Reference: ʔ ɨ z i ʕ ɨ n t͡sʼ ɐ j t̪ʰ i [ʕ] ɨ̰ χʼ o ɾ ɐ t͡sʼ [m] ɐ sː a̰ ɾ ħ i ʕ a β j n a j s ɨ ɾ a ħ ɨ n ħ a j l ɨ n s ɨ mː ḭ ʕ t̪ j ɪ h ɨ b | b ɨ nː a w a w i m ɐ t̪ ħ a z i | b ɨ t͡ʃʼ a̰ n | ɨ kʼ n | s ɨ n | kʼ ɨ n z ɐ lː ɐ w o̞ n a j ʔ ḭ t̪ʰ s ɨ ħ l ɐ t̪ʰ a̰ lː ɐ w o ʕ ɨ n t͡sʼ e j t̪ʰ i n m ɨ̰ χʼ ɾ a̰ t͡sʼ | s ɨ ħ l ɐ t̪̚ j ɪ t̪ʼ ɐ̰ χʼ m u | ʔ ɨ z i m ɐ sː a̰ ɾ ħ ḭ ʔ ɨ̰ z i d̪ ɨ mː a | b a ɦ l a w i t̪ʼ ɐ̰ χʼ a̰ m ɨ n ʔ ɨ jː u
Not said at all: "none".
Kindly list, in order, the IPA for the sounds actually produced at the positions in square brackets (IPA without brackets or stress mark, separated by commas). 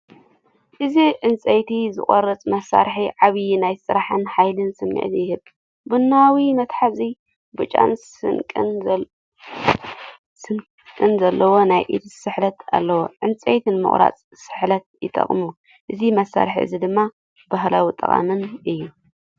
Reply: z, m